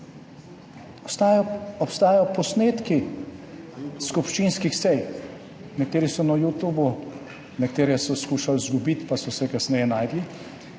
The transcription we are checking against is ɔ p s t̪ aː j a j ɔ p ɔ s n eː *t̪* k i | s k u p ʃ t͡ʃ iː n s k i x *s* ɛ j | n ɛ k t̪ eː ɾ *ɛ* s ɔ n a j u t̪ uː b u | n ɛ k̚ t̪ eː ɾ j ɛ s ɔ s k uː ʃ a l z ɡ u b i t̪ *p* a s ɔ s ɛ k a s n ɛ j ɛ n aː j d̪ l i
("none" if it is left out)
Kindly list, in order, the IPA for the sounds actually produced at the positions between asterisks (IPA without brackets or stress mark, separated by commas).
t̪, s, i, p